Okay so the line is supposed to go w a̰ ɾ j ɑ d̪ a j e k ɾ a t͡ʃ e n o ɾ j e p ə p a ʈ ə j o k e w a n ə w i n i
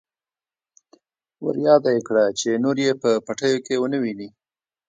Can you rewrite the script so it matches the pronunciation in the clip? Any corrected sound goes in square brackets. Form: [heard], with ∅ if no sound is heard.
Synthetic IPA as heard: w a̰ ɾ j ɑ d̪ a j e k [ɽ] a t͡ʃ e n o ɾ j e p ə p a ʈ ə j o k e w [ə] n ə w i n i